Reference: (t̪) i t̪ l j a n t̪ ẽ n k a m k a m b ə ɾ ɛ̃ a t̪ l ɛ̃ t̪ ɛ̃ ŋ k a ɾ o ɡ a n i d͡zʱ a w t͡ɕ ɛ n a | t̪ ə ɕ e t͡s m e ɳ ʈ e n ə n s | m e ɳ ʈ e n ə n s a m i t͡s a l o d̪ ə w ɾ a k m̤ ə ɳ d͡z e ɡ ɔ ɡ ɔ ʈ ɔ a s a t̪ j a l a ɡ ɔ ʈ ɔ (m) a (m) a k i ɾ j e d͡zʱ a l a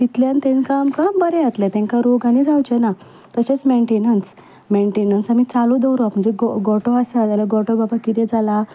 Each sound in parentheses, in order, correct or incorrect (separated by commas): correct, incorrect, incorrect